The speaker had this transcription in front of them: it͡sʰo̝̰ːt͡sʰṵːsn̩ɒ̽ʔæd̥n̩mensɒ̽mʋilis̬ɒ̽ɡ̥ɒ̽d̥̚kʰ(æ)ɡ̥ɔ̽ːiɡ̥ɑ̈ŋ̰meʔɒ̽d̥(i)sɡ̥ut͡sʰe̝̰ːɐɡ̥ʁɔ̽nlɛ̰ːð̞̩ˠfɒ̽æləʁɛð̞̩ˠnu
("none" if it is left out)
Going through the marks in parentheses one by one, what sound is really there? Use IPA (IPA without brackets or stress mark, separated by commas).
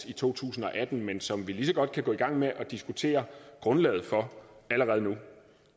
æ, i